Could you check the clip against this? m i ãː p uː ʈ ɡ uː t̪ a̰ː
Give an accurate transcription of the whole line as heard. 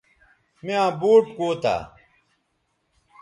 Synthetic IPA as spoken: m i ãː b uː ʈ k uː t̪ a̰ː